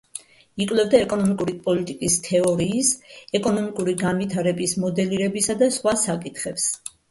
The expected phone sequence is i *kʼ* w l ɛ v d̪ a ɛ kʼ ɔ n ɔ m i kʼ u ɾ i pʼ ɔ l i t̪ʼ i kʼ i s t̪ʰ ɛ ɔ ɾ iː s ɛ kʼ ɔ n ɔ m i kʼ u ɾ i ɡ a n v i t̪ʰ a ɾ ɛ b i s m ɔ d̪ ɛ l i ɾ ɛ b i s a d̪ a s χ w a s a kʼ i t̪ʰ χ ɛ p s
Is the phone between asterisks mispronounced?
no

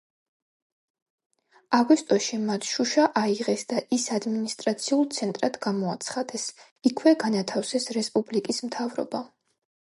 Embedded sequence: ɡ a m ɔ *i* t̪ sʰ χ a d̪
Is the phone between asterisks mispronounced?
yes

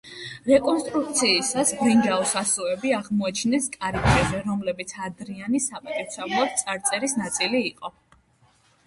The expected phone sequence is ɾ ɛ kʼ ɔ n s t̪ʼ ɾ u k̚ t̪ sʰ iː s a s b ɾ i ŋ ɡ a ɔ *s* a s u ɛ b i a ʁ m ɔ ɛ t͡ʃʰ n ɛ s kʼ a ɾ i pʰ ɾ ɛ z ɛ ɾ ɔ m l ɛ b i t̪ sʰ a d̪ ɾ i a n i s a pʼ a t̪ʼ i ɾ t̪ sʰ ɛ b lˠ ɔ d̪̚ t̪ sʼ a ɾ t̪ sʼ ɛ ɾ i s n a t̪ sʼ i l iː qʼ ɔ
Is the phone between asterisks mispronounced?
no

